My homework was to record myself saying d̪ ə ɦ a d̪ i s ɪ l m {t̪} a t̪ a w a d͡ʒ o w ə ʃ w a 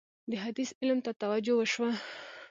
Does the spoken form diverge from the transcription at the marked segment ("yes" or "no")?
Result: no